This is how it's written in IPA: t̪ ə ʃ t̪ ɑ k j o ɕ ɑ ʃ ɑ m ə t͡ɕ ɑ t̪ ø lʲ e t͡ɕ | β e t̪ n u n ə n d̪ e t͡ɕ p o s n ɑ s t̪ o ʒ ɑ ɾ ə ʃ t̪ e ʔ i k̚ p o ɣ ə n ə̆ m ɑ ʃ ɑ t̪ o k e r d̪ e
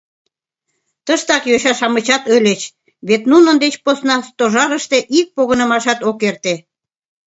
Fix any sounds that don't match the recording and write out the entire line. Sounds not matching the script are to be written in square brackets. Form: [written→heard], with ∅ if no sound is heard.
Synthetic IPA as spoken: t̪ ə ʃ t̪ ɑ k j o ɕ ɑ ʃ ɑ m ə t͡ɕ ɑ t̪ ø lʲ e t͡ɕ | β e t̪ n u n ə n d̪ e t͡ɕ p o s n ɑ s t̪ o ʒ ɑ ɾ ə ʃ t̪ e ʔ i k̚ p o ɣ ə n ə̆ m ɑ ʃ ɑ t̪ o k e r [d̪→t̪] e